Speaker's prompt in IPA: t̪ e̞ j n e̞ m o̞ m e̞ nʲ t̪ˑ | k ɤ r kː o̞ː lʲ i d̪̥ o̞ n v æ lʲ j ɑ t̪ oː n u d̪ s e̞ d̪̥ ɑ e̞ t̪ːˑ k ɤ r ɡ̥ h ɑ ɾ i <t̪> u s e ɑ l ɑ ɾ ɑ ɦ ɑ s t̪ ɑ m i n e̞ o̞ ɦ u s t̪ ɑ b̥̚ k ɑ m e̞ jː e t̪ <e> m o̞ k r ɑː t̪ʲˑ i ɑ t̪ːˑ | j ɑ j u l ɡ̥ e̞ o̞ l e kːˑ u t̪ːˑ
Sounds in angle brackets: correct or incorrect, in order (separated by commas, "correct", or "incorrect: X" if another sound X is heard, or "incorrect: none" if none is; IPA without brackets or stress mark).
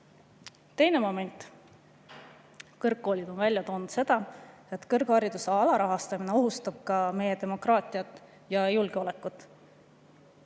incorrect: d̪, correct